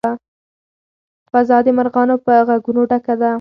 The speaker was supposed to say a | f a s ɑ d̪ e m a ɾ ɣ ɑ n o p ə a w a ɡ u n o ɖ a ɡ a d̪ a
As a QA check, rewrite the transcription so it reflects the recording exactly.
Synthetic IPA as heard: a | f a z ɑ d̪ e m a ɾ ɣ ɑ n o p ə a ɣ a ɡ u n o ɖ a k a d̪ a